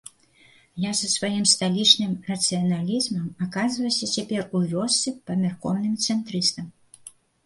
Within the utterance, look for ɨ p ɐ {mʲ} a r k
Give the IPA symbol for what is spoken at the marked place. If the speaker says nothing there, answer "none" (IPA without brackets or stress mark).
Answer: mʲ